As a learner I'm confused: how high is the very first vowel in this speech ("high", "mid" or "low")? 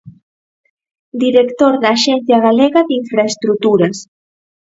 high